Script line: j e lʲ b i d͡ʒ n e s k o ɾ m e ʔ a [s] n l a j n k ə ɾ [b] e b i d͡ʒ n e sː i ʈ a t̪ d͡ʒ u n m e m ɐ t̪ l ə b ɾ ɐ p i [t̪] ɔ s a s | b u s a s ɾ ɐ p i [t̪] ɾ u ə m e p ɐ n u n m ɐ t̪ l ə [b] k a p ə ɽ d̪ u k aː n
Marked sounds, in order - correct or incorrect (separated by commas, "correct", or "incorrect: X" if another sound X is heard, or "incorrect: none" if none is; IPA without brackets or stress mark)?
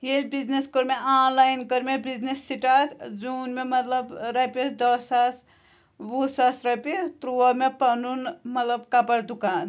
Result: incorrect: none, incorrect: m, incorrect: d̪, correct, correct